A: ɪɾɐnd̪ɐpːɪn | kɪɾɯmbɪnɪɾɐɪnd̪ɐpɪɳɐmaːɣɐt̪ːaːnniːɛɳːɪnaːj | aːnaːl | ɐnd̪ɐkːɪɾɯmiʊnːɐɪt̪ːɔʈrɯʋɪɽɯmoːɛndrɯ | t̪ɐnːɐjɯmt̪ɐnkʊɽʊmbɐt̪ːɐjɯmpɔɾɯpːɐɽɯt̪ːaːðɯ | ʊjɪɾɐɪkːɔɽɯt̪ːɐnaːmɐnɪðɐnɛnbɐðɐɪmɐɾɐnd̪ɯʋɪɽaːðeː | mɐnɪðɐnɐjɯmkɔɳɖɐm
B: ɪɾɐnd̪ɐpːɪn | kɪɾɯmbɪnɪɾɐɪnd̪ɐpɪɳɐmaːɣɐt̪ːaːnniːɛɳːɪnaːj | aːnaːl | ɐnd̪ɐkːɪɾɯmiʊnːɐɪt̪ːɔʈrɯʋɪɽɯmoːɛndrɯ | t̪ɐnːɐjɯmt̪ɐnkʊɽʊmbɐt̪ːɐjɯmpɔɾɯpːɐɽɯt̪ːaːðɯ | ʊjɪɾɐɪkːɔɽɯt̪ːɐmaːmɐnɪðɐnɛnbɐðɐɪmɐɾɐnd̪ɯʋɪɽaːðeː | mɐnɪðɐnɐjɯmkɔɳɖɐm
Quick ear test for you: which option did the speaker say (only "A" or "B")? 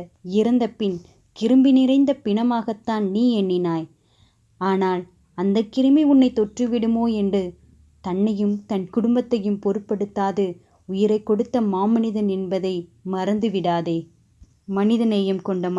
B